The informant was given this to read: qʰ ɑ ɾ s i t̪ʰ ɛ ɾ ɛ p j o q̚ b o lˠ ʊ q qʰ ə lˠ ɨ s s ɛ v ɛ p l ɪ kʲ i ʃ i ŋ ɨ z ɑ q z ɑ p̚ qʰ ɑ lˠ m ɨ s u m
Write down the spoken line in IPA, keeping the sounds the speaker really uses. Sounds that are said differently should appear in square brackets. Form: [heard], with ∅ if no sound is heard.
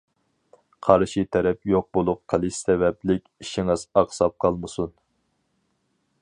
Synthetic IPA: qʰ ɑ ɾ [ʃ] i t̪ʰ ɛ ɾ ɛ p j o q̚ b o lˠ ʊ q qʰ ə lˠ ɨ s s ɛ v ɛ p l ɪ kʲ i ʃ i ŋ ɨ z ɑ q [s] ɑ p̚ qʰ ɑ lˠ m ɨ s u [n]

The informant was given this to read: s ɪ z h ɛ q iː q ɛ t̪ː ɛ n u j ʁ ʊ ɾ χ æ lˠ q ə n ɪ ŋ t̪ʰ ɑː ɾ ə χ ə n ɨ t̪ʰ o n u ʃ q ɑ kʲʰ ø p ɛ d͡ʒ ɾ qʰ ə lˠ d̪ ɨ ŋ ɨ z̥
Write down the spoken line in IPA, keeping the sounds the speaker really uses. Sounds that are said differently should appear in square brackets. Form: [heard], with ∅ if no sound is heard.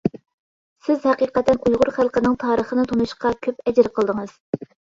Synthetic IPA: s ɪ z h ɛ q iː q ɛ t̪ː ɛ n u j ʁ ʊ ɾ χ æ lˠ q ə n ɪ ŋ t̪ʰ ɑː ɾ ə χ ə n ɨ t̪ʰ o n u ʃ q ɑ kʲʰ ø p ɛ d͡ʒ ɾ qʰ ə lˠ d̪ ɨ ŋ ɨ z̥

